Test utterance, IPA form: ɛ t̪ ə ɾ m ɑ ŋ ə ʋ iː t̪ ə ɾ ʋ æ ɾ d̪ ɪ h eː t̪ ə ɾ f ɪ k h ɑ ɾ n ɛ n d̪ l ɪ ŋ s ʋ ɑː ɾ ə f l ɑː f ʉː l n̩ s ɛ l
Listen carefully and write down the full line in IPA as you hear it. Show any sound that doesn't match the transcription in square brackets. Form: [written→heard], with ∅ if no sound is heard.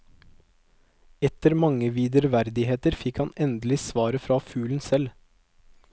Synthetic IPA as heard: ɛ t̪ ə ɾ m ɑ ŋ ə ʋ iː [t̪→d̪] ə ɾ ʋ æ ɾ d̪ ɪ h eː t̪ ə ɾ f ɪ k h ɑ [ɾ→∅] n ɛ n d̪ l ɪ [ŋ→∅] s ʋ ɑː ɾ ə f [l→ɾ] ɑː f ʉː l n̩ s ɛ l